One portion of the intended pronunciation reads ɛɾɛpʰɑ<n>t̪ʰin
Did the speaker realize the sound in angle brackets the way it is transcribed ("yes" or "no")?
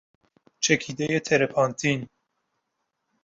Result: yes